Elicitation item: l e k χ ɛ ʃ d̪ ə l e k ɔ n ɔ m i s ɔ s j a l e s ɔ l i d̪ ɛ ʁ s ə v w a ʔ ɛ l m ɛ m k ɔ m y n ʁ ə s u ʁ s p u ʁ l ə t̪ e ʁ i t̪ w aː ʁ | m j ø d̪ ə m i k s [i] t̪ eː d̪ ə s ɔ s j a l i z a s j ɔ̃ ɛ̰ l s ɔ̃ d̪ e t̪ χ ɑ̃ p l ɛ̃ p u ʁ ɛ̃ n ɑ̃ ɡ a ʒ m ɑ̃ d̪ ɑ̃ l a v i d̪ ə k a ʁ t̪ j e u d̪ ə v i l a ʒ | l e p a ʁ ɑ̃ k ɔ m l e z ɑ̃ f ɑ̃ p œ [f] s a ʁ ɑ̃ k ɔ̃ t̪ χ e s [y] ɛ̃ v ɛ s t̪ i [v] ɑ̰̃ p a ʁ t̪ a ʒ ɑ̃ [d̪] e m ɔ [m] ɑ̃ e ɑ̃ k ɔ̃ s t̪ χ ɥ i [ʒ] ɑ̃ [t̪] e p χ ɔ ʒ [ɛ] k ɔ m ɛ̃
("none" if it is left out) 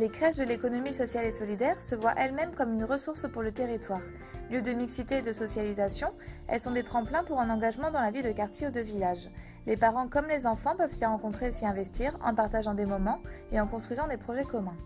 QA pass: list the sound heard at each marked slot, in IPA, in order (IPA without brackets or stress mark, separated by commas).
i, v, i, ʁ, d̪, m, z, d̪, ɛ